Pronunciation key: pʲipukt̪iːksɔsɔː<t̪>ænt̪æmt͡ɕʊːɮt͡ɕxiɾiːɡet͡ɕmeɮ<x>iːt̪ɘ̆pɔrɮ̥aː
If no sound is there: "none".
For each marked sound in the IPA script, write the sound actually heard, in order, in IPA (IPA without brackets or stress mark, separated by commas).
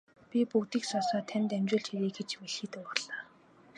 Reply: t̪ʰ, x